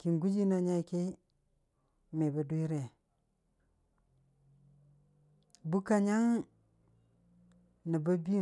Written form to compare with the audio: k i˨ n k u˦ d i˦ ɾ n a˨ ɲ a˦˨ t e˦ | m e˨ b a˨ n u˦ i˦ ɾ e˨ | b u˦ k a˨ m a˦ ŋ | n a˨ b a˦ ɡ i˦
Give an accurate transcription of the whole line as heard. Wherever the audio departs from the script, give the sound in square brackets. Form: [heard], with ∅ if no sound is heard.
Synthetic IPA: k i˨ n [ɡ] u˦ [d͡ʒ] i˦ [∅] n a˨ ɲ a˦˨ [k] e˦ | m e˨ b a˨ [d] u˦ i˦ ɾ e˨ | b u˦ k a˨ [ɲ] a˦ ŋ | n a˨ b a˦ [b] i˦